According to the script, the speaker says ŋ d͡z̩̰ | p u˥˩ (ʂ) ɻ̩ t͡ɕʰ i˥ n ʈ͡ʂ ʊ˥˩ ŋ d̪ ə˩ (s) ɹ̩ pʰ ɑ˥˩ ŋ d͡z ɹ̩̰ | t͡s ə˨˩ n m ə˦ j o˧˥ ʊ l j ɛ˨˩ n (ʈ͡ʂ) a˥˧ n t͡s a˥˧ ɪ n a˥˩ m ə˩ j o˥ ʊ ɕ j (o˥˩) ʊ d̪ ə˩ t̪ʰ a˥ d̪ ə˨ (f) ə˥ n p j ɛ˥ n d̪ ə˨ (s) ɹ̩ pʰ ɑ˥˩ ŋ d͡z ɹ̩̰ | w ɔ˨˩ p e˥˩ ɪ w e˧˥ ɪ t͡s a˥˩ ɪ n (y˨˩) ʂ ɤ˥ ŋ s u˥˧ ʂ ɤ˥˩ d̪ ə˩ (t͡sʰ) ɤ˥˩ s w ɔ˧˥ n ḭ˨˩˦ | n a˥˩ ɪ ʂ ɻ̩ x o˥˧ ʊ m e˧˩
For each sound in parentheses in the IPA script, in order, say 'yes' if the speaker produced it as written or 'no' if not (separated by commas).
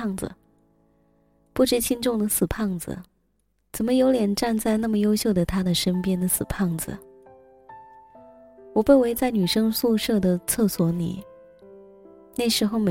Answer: no, yes, yes, yes, no, yes, yes, yes